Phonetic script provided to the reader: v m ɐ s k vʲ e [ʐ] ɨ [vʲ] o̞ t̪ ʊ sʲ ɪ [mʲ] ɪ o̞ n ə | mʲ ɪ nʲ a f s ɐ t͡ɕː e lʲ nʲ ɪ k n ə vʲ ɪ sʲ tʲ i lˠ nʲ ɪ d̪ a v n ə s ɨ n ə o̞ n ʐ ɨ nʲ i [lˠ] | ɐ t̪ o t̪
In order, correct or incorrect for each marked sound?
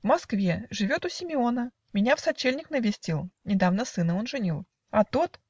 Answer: correct, correct, correct, correct

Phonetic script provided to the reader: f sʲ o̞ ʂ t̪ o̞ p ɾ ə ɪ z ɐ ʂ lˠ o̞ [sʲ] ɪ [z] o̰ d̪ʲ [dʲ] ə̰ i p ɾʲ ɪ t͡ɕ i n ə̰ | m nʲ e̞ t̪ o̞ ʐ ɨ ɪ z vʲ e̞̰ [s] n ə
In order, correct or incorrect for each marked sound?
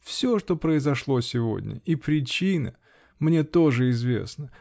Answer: correct, incorrect: v, incorrect: nʲ, correct

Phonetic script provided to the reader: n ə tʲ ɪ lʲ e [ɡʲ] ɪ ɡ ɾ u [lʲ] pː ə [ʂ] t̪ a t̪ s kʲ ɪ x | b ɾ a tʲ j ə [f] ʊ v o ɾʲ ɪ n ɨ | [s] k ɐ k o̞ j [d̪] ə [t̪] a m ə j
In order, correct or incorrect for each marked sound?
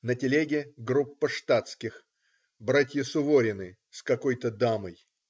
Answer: correct, incorrect: none, correct, incorrect: s, correct, incorrect: t̪, incorrect: d̪

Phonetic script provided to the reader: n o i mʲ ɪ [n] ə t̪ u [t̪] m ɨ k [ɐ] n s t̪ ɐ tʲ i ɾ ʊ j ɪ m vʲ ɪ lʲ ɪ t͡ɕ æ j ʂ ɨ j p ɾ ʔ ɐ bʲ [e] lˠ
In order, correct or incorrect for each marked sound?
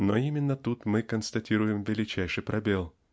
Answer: incorrect: nː, correct, incorrect: ə, correct

